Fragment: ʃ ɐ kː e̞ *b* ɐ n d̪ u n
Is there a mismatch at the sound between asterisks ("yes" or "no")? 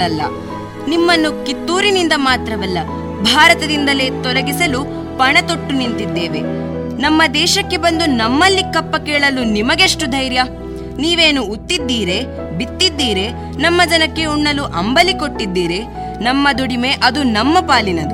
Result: no